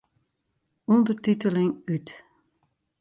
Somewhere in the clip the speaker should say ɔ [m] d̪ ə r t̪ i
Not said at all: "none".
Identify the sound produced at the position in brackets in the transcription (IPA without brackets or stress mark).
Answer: n